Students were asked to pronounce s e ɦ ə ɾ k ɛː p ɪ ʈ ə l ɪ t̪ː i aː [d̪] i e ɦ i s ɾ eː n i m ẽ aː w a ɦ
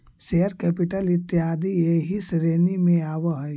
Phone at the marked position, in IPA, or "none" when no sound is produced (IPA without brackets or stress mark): d̪